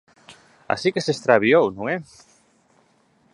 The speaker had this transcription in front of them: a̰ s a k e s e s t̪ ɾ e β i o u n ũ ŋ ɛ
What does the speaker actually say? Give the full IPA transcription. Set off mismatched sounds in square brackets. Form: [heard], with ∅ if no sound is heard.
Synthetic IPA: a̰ s [i] k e s e s t̪ ɾ [a] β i o [w] n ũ ŋ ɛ